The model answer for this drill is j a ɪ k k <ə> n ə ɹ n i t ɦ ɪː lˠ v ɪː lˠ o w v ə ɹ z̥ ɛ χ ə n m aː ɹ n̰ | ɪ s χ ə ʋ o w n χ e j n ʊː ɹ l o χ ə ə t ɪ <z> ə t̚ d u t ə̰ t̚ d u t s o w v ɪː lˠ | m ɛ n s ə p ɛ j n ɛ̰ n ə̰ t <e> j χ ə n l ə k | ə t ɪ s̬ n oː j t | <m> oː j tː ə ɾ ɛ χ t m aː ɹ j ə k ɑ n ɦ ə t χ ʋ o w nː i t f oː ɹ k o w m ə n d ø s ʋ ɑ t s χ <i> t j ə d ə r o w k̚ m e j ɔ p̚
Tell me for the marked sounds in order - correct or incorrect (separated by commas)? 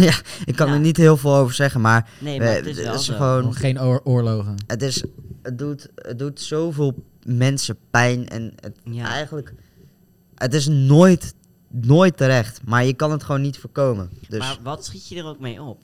incorrect, incorrect, incorrect, incorrect, correct